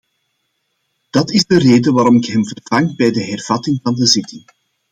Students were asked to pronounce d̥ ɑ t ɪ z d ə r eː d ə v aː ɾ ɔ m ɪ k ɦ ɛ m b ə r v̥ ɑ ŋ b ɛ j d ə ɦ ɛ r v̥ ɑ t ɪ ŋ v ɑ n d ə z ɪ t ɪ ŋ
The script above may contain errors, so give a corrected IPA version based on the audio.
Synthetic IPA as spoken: d̥ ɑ t ɪ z d ə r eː d ə ʋ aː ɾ ɔ m ɪ k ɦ ɛ m v ə r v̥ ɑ ŋ b ɛ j d ə ɦ ɛ r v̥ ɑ t ɪ ŋ v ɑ n d ə z ɪ t ɪ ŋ